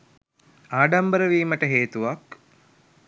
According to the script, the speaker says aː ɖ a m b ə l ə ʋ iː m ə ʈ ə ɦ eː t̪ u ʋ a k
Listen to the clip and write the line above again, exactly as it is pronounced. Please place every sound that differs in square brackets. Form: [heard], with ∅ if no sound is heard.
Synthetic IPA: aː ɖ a m b ə [ɾ] ə ʋ iː m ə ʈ ə ɦ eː t̪ u ʋ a k